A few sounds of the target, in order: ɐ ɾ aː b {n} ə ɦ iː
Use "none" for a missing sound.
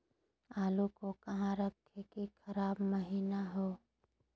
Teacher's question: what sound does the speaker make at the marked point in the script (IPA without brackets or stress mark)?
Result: m